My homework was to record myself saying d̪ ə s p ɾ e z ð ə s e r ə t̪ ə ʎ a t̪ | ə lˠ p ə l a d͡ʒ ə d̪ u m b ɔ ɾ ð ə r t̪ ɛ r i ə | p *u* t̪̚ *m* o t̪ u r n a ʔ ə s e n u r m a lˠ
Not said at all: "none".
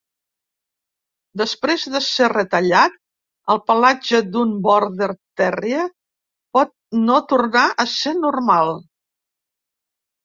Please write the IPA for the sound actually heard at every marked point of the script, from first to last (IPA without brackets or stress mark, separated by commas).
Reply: ɔ, n